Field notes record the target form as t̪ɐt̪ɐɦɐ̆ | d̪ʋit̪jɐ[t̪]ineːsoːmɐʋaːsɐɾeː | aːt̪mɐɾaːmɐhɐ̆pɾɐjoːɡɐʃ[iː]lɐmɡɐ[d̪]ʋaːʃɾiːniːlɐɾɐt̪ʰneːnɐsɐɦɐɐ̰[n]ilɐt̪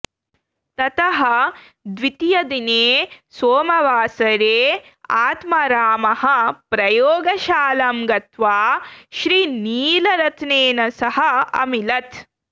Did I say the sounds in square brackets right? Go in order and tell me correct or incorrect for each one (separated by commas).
incorrect, incorrect, incorrect, incorrect